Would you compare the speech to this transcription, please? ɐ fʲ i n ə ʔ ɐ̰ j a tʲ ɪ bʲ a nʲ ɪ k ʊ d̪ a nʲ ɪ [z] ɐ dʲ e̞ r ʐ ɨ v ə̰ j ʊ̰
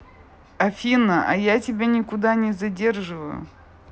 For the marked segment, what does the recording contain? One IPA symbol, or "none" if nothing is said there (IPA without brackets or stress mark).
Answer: z